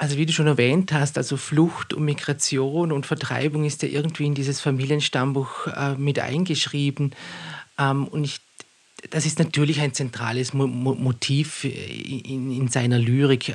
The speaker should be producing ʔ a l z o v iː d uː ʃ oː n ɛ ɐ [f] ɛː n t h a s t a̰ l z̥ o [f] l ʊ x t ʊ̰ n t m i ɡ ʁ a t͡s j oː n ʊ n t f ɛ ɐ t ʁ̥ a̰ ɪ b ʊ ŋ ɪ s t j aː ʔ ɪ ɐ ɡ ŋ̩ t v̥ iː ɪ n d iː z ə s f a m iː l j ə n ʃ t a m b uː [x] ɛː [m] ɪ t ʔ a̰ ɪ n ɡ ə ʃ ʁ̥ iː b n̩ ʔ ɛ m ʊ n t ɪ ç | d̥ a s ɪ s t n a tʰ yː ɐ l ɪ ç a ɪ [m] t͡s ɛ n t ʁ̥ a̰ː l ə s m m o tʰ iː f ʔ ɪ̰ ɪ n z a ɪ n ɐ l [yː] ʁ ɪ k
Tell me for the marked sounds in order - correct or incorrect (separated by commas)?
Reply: incorrect, correct, correct, correct, incorrect, correct